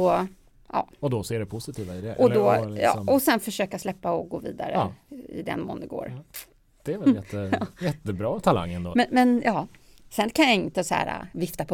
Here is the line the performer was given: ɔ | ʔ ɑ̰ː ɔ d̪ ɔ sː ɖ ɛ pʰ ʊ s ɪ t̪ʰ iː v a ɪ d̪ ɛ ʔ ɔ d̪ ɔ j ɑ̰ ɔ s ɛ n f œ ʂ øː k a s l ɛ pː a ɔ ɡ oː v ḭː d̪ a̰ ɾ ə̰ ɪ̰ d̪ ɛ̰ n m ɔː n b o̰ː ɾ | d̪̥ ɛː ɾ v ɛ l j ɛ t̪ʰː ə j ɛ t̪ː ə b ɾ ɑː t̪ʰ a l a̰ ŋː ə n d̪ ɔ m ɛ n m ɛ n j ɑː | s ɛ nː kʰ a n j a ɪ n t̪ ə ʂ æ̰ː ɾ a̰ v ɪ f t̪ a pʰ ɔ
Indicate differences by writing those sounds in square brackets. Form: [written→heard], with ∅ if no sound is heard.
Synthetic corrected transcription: ɔ | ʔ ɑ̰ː ɔ d̪ ɔ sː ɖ ɛ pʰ ʊ s ɪ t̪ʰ iː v a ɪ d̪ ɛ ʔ ɔ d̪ ɔ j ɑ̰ ɔ s ɛ n f œ ʂ øː k a s l ɛ pː a ɔ ɡ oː v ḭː d̪ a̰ ɾ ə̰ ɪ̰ d̪ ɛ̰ n m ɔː n [b→ɡ] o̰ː ɾ | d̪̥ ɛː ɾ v ɛ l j ɛ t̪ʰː ə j ɛ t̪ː ə b ɾ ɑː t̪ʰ a l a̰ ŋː ə n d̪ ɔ m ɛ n m ɛ n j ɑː | s ɛ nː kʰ a n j a ɪ n t̪ ə [ʂ→s] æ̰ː ɾ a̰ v ɪ f t̪ a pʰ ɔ